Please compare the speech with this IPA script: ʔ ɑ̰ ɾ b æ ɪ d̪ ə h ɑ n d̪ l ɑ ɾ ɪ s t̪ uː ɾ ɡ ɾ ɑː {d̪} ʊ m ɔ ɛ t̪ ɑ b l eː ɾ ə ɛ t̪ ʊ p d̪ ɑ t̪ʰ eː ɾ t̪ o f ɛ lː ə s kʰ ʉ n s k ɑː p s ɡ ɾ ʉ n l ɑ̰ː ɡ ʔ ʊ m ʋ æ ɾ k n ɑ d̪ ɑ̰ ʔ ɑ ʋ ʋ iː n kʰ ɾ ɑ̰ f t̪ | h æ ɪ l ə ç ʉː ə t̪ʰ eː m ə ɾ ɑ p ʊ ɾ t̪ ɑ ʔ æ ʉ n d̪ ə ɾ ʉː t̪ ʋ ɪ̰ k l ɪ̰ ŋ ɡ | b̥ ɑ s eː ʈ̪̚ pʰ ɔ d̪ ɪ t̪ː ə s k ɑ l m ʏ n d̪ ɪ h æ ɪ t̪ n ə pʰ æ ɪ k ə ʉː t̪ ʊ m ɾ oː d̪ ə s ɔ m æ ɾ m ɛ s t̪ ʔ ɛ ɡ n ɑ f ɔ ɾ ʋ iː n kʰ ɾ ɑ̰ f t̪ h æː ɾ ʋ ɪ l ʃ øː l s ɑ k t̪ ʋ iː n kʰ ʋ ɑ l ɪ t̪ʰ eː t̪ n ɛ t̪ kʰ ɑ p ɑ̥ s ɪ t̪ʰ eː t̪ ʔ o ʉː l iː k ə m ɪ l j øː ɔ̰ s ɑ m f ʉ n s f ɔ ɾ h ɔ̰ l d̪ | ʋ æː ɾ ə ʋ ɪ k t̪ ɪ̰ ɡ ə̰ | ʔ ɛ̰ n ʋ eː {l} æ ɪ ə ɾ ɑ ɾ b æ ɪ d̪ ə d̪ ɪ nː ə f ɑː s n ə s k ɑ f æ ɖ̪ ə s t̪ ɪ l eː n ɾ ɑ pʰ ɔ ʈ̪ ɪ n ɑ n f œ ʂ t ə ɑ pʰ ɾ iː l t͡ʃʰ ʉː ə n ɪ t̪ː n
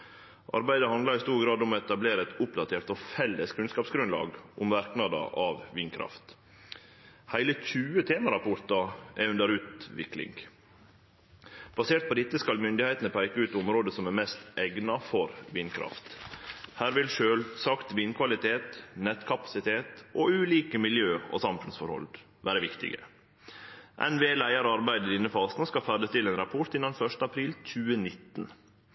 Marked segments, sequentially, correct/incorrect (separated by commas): correct, correct